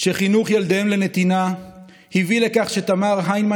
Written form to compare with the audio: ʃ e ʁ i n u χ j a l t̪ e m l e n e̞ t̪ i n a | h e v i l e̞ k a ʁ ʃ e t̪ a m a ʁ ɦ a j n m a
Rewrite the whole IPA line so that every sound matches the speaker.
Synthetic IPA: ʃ e χ i n u χ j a l d̪ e m l e n e̞ t̪ i n a | h i v i l e̞ k a χ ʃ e t̪ a m a ʁ ɦ a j n m a